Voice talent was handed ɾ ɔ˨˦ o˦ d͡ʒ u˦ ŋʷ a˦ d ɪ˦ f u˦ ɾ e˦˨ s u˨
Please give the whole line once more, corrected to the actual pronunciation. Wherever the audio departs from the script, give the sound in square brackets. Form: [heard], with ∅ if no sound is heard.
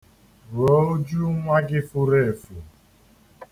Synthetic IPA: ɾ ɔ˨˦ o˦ d͡ʒ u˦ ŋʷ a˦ [ɡ] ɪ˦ f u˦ ɾ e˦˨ [f] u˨

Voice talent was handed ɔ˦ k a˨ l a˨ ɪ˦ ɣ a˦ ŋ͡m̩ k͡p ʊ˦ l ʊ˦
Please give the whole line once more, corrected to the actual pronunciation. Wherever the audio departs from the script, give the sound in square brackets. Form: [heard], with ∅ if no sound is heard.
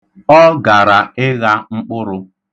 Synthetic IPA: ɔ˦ [ɡ] a˨ [ɾ] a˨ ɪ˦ ɣ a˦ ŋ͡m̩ k͡p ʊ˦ [ɾ] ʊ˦

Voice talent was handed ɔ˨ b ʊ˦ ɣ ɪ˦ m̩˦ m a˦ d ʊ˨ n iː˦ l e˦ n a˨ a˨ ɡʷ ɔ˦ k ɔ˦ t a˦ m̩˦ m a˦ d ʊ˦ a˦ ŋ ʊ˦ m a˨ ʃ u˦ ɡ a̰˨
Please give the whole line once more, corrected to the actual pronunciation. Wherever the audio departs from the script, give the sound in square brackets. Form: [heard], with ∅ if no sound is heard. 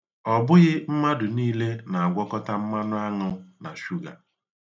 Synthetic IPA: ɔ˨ b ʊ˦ ɣ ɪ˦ m̩˦ m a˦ d ʊ˨ n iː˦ l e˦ n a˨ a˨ ɡʷ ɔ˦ k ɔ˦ t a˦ m̩˦ m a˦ [n] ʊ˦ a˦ ŋ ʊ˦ [n] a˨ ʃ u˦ ɡ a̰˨

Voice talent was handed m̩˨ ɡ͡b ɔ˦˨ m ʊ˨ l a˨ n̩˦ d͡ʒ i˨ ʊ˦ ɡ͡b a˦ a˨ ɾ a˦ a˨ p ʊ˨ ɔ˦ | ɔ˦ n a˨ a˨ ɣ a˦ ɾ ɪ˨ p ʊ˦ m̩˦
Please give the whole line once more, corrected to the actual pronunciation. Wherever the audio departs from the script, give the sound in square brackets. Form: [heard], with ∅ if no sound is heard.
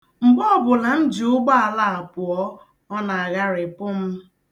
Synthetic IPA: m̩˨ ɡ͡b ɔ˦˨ [b] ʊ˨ l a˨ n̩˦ d͡ʒ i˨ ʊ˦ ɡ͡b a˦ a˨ [l] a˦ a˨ p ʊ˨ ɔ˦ | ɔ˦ n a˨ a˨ ɣ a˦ ɾ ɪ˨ p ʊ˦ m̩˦

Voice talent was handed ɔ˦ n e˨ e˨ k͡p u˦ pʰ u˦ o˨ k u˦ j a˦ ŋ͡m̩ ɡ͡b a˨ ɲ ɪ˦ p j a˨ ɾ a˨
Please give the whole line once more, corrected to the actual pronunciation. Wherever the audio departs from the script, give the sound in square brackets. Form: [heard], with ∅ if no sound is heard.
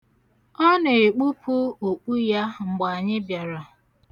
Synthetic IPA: ɔ˦ n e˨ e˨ k͡p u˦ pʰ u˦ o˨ [k͡p] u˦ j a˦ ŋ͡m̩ ɡ͡b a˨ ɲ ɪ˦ [b] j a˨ ɾ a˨

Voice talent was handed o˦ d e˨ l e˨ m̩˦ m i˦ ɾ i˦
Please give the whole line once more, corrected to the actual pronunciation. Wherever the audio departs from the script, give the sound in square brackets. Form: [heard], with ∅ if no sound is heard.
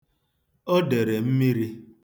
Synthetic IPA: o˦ d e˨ [ɾ] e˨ m̩˦ m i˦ ɾ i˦

